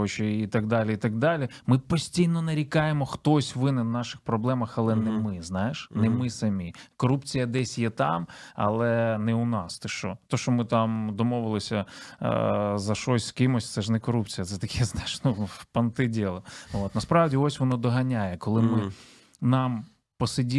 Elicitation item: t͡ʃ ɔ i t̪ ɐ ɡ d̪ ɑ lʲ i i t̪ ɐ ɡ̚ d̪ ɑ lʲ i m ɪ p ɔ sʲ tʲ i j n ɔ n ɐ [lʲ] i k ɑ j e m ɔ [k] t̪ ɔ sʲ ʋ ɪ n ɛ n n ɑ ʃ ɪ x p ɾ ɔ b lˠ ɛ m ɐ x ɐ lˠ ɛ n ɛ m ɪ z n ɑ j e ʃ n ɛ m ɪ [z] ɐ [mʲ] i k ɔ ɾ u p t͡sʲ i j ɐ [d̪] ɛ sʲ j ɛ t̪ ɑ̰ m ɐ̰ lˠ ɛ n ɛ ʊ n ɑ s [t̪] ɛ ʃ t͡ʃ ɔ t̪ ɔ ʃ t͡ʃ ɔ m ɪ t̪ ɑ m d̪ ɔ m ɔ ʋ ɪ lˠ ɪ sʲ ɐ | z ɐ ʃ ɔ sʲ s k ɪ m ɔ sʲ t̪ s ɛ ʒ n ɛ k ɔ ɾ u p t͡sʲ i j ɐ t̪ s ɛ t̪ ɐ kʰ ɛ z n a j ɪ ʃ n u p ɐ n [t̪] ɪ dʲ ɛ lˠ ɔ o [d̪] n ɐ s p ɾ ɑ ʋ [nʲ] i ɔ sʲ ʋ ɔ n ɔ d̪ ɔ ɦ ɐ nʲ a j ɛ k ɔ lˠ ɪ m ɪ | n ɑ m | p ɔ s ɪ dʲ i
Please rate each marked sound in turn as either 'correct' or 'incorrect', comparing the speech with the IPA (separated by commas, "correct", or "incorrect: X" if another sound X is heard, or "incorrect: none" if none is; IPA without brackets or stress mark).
incorrect: ɾʲ, incorrect: x, incorrect: s, correct, correct, correct, correct, incorrect: t̪, incorrect: dʲ